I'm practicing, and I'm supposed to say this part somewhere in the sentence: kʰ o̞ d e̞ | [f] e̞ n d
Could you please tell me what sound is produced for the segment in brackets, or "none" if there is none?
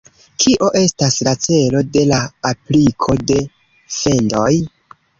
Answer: f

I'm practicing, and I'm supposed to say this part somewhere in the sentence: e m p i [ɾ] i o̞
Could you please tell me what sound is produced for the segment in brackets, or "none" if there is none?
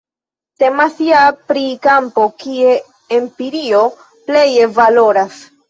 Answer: ɾ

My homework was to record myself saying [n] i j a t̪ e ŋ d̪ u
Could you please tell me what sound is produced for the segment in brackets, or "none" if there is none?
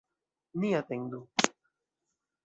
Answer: n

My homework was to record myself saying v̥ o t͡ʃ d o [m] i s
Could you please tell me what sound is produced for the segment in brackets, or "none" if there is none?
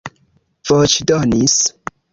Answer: n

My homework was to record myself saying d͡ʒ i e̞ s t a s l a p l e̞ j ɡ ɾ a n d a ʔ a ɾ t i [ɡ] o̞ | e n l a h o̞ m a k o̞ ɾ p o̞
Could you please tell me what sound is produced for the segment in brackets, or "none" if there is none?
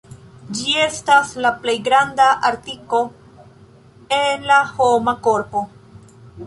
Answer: k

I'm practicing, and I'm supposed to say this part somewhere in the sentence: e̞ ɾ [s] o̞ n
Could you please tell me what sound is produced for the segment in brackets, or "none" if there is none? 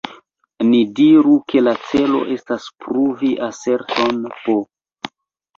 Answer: t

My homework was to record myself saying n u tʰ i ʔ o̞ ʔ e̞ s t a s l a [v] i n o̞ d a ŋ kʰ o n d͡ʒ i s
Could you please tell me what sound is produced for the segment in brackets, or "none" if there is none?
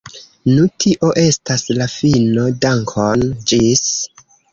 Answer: f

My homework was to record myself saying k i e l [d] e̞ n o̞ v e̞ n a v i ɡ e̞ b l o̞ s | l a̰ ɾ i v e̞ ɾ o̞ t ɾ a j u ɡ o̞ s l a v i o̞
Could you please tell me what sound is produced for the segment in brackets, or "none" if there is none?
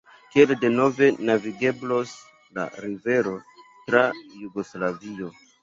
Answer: d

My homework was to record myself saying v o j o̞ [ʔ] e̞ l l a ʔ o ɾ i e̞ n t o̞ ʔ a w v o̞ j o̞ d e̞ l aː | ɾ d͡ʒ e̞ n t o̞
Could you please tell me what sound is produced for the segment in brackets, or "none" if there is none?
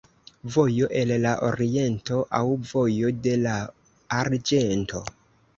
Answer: ʔ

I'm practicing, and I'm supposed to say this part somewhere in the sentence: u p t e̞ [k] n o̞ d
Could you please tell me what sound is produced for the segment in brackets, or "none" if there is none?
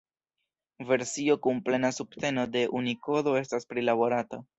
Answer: none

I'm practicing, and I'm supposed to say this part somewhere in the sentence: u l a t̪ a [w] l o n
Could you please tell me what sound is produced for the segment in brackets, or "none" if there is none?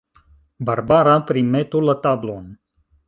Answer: b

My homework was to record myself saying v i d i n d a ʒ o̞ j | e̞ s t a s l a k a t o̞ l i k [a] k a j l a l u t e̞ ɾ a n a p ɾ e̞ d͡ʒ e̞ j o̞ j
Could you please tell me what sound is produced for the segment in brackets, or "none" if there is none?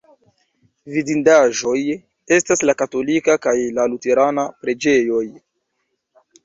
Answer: a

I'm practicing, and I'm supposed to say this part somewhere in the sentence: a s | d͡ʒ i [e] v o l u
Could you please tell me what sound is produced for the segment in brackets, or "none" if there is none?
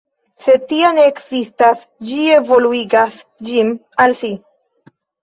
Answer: e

